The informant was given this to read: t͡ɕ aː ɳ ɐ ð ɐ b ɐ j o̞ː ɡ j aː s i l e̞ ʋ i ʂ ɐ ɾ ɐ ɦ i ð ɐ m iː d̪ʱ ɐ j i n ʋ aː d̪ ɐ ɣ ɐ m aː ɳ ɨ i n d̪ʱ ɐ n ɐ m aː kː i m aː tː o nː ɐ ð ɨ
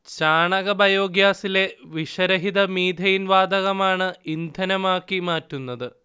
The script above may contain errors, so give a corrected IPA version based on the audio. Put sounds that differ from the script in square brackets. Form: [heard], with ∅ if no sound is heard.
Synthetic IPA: t͡ɕ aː ɳ ɐ [ɣ] ɐ b ɐ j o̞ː ɡ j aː s i l e̞ ʋ i ʂ ɐ ɾ ɐ ɦ i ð ɐ m iː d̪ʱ ɐ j i n ʋ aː d̪ ɐ ɣ ɐ m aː ɳ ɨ i n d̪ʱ ɐ n ɐ m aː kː i m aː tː [u] nː ɐ ð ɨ